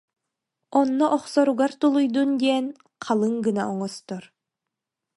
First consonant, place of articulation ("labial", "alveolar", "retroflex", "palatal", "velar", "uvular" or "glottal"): alveolar